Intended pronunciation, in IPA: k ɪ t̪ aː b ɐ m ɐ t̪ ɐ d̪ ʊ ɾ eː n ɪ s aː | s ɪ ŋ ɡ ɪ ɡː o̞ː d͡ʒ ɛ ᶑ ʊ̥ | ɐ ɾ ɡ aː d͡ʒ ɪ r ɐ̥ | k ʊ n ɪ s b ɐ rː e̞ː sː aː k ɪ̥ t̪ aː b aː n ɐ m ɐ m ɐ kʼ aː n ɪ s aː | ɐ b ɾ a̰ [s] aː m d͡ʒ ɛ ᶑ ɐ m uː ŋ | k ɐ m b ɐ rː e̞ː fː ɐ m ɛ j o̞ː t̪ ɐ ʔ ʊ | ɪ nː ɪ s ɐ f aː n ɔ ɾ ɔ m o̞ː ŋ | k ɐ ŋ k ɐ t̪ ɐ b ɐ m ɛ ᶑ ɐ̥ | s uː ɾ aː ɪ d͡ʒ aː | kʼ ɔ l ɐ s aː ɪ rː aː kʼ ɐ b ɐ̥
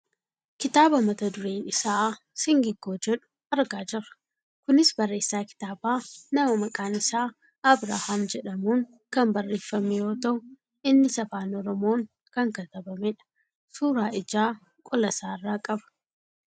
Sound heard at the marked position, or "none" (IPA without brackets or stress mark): h